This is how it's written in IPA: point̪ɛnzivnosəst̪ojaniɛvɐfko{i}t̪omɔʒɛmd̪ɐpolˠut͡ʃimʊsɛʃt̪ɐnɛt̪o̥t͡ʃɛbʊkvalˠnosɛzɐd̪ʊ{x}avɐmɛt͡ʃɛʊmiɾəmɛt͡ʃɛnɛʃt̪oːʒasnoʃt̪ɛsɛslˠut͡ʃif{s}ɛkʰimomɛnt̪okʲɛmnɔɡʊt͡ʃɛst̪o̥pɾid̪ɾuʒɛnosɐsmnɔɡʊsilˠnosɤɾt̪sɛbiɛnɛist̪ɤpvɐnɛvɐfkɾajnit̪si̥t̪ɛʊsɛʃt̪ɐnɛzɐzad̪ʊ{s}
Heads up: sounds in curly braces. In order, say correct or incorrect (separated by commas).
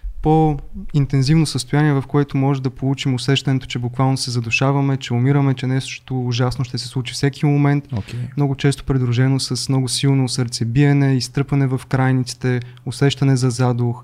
incorrect, incorrect, correct, incorrect